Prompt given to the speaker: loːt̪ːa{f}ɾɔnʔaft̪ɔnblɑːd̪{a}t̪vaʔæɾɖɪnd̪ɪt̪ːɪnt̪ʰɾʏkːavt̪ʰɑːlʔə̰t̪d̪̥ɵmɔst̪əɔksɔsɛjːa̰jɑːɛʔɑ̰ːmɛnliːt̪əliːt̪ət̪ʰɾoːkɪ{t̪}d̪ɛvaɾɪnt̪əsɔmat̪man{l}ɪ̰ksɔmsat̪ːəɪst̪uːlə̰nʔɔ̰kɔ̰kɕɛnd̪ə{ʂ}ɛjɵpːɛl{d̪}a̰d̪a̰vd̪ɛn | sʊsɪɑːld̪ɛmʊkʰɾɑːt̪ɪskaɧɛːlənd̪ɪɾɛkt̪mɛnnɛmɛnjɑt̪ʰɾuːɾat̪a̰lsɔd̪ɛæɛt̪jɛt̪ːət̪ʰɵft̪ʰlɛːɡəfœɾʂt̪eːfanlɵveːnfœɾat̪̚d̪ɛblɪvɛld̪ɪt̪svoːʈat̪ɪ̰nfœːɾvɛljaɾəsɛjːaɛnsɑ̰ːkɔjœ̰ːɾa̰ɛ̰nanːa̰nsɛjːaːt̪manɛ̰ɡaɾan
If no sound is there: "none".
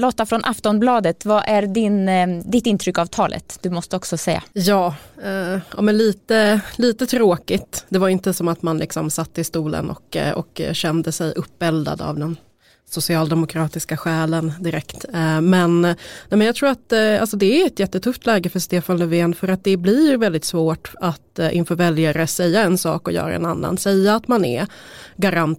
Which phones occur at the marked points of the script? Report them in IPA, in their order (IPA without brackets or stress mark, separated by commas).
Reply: f, ə, t̪, l, s, d̪